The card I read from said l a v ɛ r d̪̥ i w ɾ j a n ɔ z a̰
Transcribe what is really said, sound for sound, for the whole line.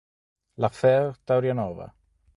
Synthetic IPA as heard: l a f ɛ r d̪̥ a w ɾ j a n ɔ v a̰